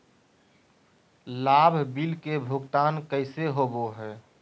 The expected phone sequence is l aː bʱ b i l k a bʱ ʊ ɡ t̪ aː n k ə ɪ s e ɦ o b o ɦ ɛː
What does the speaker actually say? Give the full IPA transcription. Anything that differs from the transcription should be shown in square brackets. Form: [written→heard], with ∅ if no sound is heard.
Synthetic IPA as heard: l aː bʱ b i l k [a→e] bʱ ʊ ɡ t̪ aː n k ə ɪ s e ɦ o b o ɦ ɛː

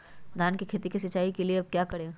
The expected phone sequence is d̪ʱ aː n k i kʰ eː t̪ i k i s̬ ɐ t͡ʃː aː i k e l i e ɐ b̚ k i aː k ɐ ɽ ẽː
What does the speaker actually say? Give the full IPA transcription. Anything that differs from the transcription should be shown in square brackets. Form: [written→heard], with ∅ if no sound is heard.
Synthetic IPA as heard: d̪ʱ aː n k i kʰ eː t̪ i k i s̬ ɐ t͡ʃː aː i k e l i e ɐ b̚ k [i→j] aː k ɐ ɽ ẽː

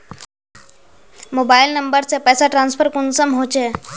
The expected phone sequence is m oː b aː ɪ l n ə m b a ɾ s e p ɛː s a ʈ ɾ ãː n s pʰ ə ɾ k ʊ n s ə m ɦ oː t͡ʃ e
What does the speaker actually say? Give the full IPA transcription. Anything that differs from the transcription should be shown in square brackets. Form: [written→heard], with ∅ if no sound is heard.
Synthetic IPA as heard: m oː b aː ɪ l n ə m b [a→ə] ɾ s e p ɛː s a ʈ ɾ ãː n s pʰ ə ɾ k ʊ n s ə m ɦ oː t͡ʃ e

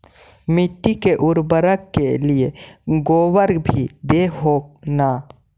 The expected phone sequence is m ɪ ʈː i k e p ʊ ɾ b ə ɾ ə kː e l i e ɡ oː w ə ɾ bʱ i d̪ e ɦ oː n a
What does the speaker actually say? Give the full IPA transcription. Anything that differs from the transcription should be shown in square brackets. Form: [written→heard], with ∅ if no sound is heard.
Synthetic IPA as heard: m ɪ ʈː i k e [p→ʔ] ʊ ɾ b ə ɾ ə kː e l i e ɡ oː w ə ɾ bʱ i d̪ e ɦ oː n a

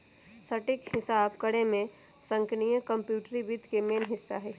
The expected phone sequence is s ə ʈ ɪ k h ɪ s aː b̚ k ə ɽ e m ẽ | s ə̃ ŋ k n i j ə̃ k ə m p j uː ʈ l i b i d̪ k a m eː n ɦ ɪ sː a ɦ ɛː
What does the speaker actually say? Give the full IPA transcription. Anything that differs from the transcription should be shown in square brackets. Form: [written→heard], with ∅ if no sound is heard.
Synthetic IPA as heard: s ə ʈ ɪ k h ɪ s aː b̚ k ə ɽ e m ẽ | s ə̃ ŋ k n i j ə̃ k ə m p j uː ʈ [l→ɾ] i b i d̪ k [a→e] m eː n ɦ ɪ sː a ɦ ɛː

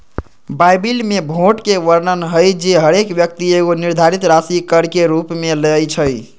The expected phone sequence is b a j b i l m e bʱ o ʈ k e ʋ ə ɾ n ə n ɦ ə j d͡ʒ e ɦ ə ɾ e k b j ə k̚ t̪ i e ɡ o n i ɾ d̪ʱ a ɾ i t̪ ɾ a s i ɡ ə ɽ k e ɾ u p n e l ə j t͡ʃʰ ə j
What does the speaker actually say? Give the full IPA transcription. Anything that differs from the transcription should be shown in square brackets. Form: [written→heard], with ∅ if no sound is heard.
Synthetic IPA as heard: b a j b i l m e bʱ o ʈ k e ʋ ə ɾ n ə n ɦ ə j d͡ʒ e ɦ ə ɾ e k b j ə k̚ t̪ i e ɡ o n i ɾ d̪ʱ a ɾ i t̪ ɾ a s i [ɡ→k] ə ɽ k e ɾ u p [n→m] e l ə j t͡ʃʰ ə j

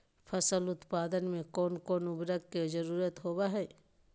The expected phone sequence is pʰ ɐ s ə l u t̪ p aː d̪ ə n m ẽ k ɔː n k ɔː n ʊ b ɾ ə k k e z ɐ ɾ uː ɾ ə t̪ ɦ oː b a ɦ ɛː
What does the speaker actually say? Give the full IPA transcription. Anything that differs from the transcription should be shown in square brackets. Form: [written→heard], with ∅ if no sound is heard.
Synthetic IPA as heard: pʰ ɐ s ə l [u→ʊ] t̪ p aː d̪ ə n m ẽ k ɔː n k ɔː n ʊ b ɾ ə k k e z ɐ ɾ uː ɾ ə t̪ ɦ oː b a ɦ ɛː

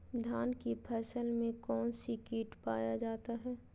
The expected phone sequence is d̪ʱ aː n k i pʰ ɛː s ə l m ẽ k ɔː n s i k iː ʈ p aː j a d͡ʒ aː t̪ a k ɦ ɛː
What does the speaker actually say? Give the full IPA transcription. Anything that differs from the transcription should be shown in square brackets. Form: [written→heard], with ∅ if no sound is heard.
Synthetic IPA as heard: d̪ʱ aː n k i pʰ ɛː s ə l m ẽ k ɔː n s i k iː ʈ p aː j a d͡ʒ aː t̪ a [k→∅] ɦ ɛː

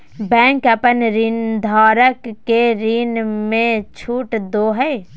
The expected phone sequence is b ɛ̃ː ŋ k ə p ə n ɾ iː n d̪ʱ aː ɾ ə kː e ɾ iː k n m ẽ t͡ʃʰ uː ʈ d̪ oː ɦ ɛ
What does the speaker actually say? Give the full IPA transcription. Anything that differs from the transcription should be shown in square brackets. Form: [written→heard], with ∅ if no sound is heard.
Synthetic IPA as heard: b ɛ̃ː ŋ k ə p ə n ɾ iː n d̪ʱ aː ɾ ə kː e ɾ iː [k→∅] n m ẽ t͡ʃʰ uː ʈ d̪ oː ɦ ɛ

